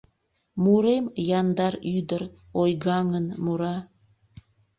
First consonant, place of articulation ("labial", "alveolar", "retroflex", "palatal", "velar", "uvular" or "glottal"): labial